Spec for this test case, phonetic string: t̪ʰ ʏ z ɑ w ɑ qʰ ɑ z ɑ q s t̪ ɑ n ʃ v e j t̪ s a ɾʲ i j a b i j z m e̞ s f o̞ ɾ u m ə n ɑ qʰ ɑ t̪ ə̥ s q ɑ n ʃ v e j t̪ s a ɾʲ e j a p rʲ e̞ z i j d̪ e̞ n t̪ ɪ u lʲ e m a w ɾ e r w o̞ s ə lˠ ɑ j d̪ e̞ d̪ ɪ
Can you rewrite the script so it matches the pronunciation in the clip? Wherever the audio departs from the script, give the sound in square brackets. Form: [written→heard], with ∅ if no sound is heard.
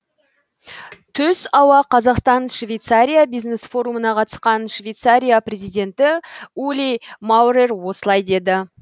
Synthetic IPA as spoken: t̪ʰ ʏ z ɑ w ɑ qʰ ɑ z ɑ q s t̪ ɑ n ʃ v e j t̪ s a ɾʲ i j a b i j z [m→n] e̞ s f o̞ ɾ u m ə n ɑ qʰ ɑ t̪ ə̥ s q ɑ n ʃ v e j t̪ s a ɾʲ [e→i] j a p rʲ e̞ z i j d̪ e̞ n t̪ ɪ u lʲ [e→i] m a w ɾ e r w o̞ s ə lˠ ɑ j d̪ e̞ d̪ ɪ